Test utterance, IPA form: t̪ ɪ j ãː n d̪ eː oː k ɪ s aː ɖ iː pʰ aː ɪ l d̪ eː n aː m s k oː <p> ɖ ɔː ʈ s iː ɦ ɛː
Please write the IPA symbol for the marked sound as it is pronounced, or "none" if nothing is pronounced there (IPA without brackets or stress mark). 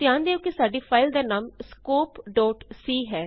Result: p